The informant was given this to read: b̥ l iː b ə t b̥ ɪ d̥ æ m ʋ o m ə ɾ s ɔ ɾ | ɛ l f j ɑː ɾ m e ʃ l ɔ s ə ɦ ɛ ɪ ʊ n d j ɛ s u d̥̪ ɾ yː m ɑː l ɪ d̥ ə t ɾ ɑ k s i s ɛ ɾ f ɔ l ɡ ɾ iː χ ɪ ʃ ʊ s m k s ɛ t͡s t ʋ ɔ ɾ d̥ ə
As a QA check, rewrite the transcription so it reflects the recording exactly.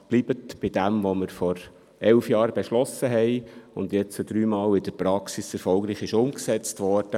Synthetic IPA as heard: b̥ l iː b ə t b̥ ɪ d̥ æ m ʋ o m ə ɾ f ɔ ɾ | ɛ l f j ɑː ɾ b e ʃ l ɔ s ə ɦ ɛ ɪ ʊ n d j ɛ t͡s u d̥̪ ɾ yː m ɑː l ɪ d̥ ə p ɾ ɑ k s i s ɛ ɾ f ɔ l ɡ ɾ iː χ ɪ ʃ ʊ m k s ɛ t͡s t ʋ ɔ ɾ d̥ ə